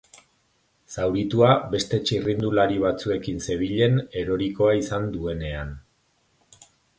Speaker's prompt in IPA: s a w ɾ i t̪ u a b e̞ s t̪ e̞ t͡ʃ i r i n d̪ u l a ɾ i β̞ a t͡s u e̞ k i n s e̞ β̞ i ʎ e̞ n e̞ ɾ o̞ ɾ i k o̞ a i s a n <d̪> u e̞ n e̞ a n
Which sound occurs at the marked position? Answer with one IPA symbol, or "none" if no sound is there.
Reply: d̪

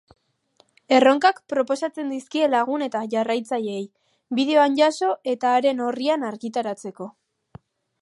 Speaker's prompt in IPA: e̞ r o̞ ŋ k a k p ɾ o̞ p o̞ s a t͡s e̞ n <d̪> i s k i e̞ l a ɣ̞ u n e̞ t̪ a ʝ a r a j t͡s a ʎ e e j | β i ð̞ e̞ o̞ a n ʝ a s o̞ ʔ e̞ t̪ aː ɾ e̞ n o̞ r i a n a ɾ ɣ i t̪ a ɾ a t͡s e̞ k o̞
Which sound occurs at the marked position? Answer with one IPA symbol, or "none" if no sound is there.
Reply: d̪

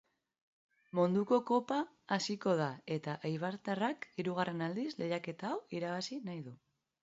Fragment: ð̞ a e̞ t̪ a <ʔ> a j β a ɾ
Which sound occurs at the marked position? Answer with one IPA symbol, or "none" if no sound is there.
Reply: ʔ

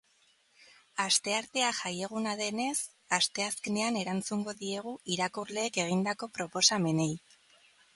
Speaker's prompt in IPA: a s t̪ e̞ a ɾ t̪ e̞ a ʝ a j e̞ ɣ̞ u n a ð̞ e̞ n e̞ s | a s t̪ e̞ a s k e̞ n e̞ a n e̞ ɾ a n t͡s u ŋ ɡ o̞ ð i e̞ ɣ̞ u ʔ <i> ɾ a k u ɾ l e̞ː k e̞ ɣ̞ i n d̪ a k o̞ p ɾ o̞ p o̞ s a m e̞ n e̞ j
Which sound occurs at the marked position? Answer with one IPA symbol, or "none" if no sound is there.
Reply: i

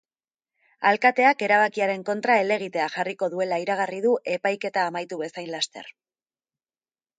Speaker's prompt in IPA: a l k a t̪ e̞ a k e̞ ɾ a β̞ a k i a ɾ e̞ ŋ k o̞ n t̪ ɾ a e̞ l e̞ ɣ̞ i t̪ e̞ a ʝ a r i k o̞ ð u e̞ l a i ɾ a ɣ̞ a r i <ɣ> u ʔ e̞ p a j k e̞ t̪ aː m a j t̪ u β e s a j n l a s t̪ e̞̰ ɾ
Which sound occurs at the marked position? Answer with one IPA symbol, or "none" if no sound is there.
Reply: ð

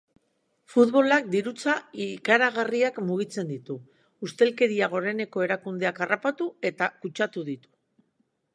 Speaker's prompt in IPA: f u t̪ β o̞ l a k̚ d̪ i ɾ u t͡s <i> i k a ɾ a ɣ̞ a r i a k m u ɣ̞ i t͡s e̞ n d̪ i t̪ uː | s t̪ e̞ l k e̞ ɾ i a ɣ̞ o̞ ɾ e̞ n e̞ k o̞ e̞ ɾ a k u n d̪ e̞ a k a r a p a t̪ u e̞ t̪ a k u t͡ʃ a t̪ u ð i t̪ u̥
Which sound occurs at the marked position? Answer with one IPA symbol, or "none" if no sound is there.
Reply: a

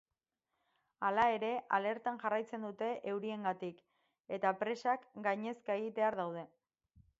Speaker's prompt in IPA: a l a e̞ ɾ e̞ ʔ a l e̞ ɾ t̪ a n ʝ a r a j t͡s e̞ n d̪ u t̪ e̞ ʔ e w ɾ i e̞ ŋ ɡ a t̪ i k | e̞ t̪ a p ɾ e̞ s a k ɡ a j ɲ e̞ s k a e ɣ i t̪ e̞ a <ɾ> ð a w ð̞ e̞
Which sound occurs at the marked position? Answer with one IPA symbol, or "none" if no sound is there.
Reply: ɾ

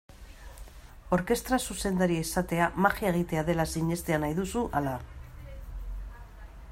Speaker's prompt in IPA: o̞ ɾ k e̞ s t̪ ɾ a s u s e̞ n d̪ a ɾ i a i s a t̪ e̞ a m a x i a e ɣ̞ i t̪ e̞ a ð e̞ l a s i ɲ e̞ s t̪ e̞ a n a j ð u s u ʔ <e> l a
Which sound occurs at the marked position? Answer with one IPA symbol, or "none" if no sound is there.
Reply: a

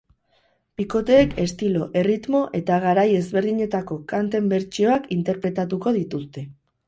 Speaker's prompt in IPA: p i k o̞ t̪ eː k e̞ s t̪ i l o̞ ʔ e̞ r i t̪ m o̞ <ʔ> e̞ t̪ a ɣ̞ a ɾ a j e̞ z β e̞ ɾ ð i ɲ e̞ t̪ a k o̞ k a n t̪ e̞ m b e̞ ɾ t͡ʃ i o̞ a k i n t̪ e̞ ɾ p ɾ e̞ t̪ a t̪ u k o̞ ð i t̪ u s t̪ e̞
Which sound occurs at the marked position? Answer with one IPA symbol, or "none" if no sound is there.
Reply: ʔ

